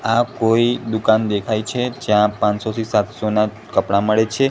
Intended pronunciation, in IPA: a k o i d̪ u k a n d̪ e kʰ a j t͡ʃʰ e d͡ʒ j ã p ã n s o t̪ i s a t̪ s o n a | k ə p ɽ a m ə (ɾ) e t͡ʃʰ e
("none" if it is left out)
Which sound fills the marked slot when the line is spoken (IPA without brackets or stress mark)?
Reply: ɭ